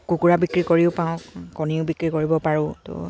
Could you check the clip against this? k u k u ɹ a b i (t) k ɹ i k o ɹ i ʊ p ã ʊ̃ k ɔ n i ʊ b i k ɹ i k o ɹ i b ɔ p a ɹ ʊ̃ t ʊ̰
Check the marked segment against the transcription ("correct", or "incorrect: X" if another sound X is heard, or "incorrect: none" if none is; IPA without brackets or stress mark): incorrect: none